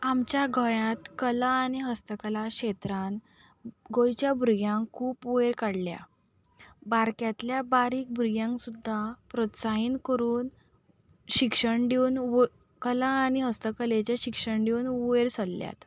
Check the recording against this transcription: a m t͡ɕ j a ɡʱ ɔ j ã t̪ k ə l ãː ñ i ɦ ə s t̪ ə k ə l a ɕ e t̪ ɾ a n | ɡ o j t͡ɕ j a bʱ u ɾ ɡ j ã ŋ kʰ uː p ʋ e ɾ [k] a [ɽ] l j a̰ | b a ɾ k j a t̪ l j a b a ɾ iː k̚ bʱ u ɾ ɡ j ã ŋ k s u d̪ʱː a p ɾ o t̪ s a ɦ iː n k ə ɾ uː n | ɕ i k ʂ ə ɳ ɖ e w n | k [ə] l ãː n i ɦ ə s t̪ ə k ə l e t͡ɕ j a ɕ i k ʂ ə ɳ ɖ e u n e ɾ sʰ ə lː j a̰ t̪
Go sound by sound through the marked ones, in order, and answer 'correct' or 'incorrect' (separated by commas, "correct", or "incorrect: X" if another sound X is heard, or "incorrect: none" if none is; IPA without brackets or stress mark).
correct, correct, correct